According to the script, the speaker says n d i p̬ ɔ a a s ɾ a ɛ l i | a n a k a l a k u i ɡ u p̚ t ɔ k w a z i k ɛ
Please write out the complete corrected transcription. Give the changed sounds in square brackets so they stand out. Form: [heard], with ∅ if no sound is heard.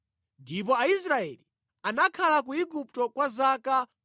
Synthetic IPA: n d i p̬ ɔ a [i] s ɾ a ɛ l i | a n a [kʰ] a l a k u i ɡ u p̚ t ɔ k w a z [a] k [a]